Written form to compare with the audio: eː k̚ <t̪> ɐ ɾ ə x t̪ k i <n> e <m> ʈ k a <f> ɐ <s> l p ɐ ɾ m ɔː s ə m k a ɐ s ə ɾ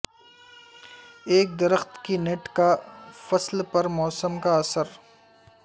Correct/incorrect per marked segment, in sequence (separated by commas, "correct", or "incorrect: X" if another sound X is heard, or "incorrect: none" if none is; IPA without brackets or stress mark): incorrect: d̪, correct, incorrect: none, correct, correct